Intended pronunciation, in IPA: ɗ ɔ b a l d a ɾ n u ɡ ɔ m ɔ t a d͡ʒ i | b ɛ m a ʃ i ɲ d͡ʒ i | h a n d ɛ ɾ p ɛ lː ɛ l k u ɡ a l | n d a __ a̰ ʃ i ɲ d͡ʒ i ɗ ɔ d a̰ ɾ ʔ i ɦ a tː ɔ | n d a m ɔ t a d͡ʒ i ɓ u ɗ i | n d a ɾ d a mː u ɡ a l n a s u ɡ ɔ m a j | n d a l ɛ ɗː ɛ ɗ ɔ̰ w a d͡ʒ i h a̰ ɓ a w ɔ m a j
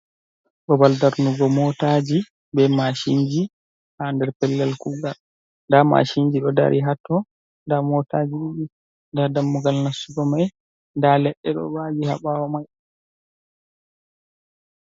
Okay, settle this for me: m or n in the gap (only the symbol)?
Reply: m